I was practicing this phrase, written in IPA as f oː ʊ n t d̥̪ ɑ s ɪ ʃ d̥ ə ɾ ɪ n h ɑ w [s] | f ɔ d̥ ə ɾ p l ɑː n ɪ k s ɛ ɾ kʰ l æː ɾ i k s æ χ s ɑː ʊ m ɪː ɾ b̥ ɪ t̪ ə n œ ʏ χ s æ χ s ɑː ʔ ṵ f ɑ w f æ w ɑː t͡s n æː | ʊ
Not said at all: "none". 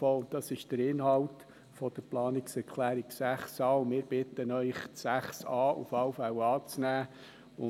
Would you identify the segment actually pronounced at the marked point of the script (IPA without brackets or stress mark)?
t